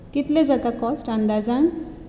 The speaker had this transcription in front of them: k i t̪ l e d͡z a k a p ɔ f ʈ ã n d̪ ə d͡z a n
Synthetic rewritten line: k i t̪ l e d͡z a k a k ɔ s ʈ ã n d̪ a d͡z a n